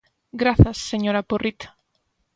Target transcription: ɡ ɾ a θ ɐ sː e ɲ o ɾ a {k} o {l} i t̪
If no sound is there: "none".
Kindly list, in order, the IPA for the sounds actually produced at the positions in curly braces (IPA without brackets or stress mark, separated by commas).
p, r